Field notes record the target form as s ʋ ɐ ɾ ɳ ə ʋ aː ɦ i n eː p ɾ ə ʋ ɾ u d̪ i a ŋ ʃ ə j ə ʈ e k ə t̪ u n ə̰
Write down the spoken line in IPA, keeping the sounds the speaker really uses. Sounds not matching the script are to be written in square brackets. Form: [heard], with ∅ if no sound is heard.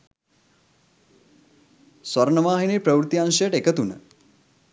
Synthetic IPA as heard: s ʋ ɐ ɾ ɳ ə ʋ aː ɦ i n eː p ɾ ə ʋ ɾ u [t̪] i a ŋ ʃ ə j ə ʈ e k ə t̪ u n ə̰